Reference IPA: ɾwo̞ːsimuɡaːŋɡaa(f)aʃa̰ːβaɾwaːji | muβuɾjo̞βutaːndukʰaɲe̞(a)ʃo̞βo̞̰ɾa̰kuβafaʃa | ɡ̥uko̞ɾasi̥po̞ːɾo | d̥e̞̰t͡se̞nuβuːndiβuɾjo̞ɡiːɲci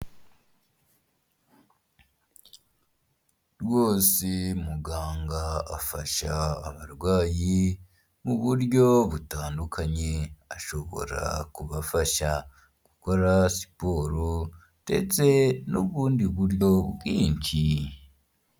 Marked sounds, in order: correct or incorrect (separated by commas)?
correct, correct